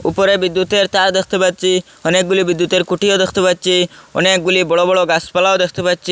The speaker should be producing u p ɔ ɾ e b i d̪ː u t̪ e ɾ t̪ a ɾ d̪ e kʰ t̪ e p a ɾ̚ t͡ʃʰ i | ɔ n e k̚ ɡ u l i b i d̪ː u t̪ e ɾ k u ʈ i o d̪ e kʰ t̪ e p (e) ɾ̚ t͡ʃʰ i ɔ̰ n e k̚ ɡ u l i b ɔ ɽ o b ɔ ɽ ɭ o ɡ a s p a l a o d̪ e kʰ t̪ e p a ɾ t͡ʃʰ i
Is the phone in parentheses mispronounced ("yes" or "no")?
yes